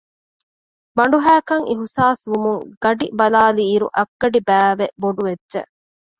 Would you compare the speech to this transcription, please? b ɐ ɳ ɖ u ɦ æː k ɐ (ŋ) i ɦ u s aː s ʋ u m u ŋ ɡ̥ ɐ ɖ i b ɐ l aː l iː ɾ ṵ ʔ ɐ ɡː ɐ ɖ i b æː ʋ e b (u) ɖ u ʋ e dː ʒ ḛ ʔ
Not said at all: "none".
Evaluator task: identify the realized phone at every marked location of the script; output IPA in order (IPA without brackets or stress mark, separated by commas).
ŋ, o